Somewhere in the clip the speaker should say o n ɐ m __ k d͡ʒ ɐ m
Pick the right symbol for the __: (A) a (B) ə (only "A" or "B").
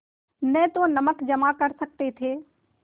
B